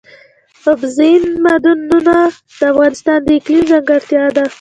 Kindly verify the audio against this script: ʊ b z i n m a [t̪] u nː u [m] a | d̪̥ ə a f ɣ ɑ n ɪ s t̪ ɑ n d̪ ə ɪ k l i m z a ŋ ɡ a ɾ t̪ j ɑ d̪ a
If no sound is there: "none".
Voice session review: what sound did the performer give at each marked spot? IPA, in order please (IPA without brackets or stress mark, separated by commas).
d̪, n